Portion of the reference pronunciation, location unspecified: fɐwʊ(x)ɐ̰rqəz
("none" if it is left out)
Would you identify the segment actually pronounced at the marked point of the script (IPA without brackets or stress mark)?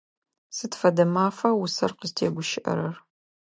s